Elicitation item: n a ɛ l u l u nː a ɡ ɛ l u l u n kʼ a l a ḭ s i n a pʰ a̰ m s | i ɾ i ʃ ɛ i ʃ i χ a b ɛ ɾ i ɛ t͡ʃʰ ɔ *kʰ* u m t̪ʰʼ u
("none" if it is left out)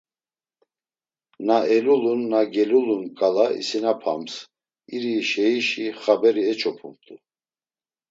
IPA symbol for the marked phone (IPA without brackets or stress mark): pʰ